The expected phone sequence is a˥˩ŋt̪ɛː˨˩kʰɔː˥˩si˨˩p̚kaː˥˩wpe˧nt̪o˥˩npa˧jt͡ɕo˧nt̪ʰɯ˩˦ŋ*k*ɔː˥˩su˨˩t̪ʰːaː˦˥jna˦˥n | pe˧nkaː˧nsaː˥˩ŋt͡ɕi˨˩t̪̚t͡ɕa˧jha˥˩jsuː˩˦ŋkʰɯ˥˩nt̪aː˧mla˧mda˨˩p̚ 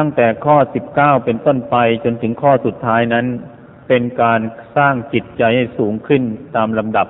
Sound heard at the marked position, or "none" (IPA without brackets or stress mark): kʰ